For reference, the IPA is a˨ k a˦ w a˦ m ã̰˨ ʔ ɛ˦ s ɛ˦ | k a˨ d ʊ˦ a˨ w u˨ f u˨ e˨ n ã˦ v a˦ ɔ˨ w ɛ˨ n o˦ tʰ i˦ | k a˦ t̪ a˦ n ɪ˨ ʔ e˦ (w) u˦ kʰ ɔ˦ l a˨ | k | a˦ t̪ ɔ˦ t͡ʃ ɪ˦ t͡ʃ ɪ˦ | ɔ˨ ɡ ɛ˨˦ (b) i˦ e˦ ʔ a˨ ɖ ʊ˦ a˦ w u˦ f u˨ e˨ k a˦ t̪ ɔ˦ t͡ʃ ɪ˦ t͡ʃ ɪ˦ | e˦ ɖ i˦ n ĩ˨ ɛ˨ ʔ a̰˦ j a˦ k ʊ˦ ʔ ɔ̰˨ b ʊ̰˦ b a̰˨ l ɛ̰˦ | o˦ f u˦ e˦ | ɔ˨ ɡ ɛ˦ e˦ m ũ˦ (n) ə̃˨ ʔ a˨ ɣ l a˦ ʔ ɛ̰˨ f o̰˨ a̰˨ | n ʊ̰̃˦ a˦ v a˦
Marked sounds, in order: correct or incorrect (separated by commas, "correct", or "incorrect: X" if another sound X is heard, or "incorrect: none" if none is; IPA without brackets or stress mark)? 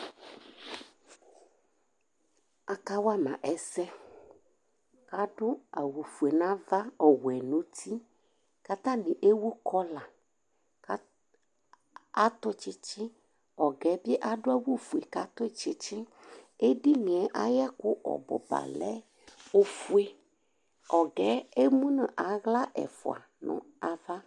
correct, correct, correct